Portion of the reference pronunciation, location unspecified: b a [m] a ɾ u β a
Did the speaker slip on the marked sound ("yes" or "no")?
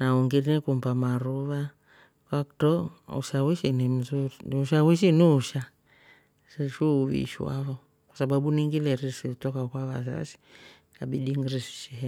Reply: no